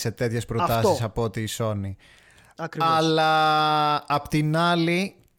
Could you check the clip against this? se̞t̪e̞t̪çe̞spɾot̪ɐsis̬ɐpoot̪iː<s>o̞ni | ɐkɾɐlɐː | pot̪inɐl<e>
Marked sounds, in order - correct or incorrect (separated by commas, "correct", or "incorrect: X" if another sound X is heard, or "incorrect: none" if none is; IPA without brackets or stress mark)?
correct, incorrect: i